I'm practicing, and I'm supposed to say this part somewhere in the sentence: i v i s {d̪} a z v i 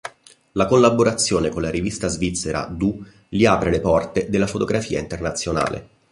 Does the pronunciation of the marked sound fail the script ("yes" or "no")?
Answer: yes